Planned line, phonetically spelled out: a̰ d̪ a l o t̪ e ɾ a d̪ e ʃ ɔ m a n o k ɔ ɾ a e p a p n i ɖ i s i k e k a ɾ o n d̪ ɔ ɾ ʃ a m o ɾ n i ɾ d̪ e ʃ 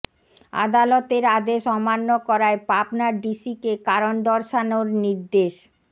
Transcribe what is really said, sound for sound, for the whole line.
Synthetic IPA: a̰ d̪ a l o t̪ e ɾ a d̪ e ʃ ɔ m a nː o k ɔ ɾ a e p a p n a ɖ i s i k e k a ɾ o n d̪ ɔ ɾ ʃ a n o ɾ n i ɾ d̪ e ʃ